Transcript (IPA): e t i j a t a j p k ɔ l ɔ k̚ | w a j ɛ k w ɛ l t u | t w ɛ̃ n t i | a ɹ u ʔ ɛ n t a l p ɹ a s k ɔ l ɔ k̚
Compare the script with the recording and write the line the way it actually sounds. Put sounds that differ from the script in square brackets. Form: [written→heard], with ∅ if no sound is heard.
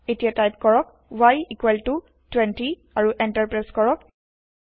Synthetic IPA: e t i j a t a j p k ɔ [l→ɹ] ɔ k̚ | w a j [ɛ→i] k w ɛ l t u | t w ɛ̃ n t i | a ɹ u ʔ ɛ n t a [l→ɹ] p ɹ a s k ɔ [l→ɹ] ɔ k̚